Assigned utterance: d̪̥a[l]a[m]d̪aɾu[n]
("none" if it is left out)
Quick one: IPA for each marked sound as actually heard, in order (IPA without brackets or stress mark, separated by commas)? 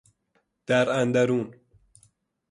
ɾ, n, n